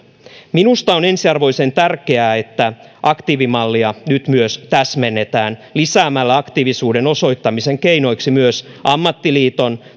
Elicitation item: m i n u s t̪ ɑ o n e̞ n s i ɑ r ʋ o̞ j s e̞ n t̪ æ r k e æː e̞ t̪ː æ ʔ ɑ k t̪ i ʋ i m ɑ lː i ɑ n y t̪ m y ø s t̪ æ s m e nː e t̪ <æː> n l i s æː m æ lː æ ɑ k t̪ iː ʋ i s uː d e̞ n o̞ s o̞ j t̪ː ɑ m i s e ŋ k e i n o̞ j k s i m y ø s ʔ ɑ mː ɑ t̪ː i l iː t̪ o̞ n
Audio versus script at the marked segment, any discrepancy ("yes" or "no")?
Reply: no